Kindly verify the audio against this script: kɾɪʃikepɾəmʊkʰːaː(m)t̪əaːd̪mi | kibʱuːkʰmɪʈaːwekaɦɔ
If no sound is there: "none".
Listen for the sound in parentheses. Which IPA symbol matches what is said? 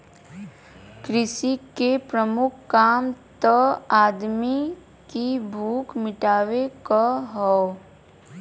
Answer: m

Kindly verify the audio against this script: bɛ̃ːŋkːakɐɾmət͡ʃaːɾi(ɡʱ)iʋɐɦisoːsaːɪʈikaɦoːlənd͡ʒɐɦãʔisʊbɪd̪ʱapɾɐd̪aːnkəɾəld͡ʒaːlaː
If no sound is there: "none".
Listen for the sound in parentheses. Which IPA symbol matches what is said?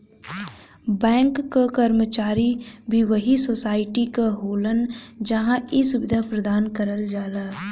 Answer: bʱ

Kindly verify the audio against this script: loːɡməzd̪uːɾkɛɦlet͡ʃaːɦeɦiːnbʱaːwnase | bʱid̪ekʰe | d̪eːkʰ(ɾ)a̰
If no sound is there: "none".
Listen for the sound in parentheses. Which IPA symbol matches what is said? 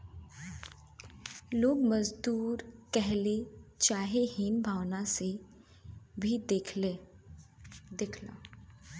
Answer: l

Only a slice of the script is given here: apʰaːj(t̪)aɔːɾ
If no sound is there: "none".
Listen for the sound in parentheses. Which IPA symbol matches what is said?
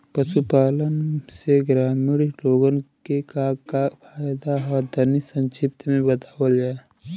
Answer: d̪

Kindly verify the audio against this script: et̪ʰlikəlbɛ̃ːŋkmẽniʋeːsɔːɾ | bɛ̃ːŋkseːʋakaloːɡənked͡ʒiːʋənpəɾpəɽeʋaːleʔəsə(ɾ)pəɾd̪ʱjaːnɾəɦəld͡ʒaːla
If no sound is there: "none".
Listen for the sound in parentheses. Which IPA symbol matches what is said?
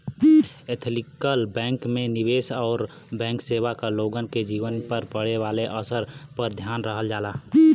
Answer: ɾ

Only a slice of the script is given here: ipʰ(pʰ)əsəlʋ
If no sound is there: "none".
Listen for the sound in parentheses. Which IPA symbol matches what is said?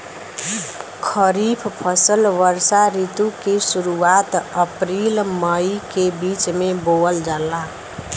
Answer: pʰ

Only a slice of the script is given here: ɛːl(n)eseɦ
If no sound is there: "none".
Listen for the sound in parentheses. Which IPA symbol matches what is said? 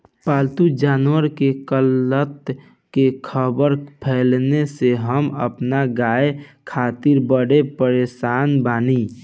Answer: n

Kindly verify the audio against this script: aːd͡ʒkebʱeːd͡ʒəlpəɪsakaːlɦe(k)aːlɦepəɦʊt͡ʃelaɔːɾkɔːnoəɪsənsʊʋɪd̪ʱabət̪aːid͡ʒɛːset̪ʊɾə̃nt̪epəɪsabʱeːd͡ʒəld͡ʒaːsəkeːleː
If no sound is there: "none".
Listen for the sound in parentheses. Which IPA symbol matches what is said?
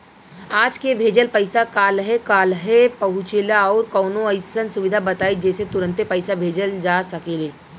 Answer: k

